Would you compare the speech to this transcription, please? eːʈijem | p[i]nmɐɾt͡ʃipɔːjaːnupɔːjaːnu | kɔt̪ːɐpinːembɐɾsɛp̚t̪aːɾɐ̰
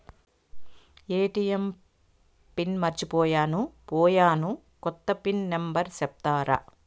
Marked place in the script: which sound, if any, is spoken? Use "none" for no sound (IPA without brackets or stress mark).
i